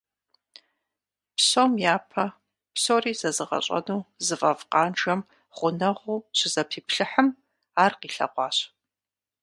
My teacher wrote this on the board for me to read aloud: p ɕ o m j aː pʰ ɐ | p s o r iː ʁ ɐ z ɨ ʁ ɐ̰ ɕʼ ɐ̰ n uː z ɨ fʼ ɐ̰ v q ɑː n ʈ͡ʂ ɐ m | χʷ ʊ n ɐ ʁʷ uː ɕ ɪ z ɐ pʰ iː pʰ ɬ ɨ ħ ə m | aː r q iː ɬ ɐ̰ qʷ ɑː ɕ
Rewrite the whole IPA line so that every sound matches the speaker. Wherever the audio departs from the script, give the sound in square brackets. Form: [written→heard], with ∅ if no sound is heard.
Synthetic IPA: p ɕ o m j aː pʰ ɐ | p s o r iː [ʁ→z] ɐ z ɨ ʁ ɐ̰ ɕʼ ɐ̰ n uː z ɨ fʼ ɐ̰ v q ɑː n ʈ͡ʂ ɐ m | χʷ ʊ n ɐ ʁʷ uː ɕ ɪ z ɐ pʰ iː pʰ ɬ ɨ ħ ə m | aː r q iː ɬ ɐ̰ qʷ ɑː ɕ

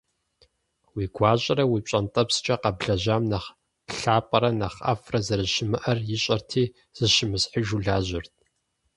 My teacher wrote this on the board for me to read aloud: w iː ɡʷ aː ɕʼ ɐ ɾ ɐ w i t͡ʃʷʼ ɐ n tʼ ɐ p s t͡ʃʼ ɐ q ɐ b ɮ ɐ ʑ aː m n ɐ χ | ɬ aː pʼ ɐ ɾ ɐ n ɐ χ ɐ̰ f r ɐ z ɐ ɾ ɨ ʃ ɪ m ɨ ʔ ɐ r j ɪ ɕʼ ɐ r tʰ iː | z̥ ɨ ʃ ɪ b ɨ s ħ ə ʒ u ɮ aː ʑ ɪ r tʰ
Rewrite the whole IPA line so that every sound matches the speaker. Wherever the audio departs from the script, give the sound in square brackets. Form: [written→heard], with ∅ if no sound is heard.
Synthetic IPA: w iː ɡʷ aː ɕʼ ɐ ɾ ɐ w i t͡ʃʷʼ ɐ n tʼ ɐ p s t͡ʃʼ ɐ q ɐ b ɮ ɐ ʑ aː m n ɐ χ | ɬ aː pʼ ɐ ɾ ɐ n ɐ χ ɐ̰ f r ɐ z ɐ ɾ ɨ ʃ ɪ m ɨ ʔ ɐ r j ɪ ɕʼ ɐ r tʰ iː | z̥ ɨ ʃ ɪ [b→m] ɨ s ħ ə ʒ u ɮ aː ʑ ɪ r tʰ

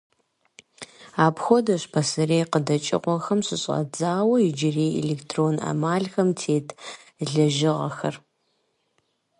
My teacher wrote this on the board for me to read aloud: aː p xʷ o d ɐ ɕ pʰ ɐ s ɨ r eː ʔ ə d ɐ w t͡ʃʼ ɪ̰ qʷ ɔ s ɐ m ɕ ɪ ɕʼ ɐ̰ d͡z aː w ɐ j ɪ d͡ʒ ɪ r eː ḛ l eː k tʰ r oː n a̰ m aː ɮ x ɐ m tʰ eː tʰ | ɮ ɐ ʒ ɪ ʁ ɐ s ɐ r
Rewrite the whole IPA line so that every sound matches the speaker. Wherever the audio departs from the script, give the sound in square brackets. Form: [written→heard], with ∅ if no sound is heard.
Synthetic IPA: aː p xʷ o d ɐ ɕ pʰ ɐ s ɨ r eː [ʔ→q] ə d ɐ [w→∅] t͡ʃʼ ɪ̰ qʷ ɔ [s→x] ɐ m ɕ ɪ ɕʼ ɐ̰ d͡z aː w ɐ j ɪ d͡ʒ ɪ r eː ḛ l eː k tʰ r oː n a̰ m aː ɮ x ɐ m tʰ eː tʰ | ɮ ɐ ʒ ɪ ʁ ɐ [s→x] ɐ r

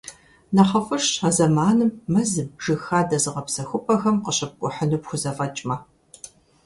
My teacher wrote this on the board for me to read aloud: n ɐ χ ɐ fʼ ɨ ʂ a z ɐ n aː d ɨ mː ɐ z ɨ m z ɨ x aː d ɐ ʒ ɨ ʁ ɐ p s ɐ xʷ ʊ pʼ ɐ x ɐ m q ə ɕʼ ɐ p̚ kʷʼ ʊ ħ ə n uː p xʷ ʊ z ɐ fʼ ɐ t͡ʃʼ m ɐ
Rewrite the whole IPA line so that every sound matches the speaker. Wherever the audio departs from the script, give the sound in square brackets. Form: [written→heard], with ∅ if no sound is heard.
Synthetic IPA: n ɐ χ ɐ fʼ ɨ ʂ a z ɐ [n→m] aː [d→n] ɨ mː ɐ z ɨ m [z→ʒ] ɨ x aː d ɐ [ʒ→z] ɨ ʁ ɐ p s ɐ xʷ ʊ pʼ ɐ x ɐ m q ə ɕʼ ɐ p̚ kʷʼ ʊ ħ ə n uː p xʷ ʊ z ɐ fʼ ɐ t͡ʃʼ m ɐ

